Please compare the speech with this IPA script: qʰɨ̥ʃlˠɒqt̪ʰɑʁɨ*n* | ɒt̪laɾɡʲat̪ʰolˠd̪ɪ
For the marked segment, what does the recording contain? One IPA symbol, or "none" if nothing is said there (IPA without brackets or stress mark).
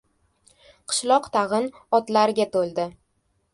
n